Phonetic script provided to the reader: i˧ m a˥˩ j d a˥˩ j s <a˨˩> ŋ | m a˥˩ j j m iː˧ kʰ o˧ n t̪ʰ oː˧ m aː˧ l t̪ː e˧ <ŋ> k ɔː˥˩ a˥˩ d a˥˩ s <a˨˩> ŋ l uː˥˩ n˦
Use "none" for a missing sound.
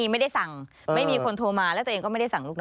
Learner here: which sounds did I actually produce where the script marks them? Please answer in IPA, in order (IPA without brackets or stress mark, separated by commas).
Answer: a˨˩, ŋ, a˨˩